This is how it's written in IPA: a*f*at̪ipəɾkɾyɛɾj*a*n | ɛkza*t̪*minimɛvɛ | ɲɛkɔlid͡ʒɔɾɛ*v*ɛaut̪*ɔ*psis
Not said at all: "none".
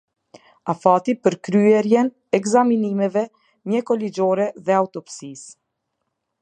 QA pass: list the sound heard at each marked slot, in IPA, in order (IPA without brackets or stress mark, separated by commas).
f, ɛ, none, ð, ɔ